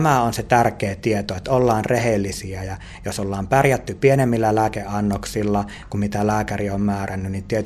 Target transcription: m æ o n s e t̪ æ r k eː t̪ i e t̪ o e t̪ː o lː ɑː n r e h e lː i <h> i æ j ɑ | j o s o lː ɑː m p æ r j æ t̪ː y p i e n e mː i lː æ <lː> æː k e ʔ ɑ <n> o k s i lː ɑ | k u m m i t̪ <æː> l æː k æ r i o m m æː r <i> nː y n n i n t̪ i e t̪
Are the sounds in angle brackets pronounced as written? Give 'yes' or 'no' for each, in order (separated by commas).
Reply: no, no, no, no, no